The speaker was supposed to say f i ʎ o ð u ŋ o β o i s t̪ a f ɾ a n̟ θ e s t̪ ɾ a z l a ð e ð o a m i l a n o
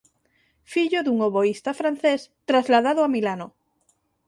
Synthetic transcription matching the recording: f i ʎ o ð u ŋ o β o i s t̪ a f ɾ a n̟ θ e s t̪ ɾ a z l a ð a ð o a m i l a n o